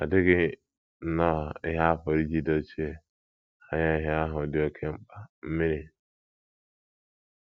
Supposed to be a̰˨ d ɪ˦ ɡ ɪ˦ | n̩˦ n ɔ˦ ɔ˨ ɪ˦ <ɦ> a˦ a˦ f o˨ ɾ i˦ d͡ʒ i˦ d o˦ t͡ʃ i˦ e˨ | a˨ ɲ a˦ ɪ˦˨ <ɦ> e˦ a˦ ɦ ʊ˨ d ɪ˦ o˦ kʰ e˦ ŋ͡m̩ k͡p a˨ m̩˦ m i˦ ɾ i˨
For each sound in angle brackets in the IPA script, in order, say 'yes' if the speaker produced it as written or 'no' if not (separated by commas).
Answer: yes, yes